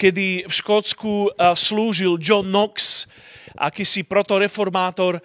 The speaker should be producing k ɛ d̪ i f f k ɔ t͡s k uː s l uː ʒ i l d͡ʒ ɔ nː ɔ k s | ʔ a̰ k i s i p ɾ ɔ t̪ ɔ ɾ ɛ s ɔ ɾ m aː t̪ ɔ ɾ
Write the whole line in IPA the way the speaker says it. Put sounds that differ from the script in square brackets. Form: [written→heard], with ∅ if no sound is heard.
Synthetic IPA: k ɛ d̪ i f [f→ʃ] k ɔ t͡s k [uː→u] s l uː ʒ i l d͡ʒ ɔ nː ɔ k s | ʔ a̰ k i s i p ɾ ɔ t̪ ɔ ɾ ɛ [s→f] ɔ ɾ m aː t̪ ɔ ɾ